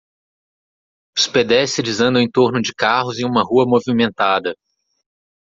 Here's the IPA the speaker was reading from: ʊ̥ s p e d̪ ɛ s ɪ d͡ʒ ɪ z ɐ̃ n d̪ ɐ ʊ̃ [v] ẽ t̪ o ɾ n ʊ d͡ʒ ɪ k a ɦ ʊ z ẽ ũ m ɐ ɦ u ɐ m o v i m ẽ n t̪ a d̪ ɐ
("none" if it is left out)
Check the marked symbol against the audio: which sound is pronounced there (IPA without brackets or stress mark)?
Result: none